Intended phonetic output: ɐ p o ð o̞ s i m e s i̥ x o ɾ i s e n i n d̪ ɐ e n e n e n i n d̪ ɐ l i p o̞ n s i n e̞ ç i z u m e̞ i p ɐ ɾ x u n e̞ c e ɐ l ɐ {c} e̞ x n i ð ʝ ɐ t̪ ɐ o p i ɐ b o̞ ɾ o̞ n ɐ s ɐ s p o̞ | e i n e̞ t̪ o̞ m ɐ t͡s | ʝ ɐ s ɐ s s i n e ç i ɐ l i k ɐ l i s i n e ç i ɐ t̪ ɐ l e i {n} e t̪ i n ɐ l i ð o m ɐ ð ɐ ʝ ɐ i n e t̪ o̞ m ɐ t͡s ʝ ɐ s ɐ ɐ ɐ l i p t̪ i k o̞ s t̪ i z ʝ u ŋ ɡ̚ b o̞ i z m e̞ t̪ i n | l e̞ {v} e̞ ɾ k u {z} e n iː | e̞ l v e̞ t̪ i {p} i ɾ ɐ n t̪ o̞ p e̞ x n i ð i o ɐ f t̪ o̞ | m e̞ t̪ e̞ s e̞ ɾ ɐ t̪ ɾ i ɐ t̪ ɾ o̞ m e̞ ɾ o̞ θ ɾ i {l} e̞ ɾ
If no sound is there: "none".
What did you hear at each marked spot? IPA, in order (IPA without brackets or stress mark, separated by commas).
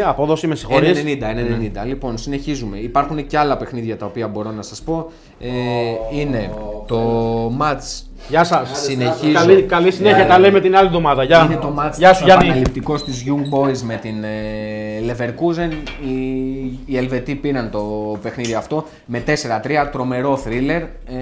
p, m, v, z, p, l